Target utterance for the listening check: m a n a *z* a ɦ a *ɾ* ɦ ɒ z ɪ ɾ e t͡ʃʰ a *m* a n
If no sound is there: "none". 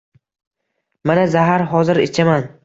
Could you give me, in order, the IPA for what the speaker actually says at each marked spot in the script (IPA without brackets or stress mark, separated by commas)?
z, ɾ, m